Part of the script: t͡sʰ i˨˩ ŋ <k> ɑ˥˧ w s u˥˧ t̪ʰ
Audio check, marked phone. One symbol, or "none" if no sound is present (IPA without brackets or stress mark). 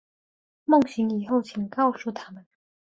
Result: k